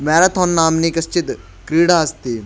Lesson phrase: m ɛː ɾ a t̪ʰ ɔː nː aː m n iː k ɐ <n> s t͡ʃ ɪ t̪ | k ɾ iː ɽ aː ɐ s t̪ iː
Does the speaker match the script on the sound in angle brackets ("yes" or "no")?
no